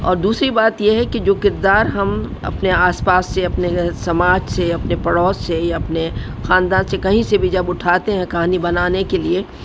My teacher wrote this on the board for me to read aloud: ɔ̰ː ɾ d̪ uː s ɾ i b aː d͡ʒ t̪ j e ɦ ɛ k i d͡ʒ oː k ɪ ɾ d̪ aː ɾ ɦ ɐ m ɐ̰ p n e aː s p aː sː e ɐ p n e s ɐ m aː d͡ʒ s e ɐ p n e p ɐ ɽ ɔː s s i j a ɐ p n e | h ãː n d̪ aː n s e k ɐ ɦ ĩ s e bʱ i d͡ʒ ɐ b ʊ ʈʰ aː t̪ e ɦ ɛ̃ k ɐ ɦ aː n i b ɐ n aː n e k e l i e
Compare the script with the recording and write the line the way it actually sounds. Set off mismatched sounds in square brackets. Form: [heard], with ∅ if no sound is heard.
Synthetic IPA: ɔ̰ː ɾ d̪ uː s ɾ i b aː [∅] t̪ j e ɦ ɛ k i d͡ʒ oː k ɪ ɾ d̪ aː ɾ ɦ ɐ m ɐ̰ p n e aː s p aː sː e ɐ p n e s ɐ m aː d͡ʒ s e ɐ p n e p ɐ ɽ ɔː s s [e] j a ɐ p n e | [x] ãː n d̪ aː n s e k ɐ ɦ ĩ s e bʱ i d͡ʒ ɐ b ʊ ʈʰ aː t̪ e ɦ ɛ̃ k ɐ ɦ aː n i b ɐ n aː n e k e l i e